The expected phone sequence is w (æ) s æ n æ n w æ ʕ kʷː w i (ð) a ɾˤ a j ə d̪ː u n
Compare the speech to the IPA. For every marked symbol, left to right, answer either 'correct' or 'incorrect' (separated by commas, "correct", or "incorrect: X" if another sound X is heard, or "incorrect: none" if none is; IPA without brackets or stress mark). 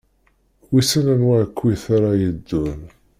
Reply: incorrect: i, incorrect: θ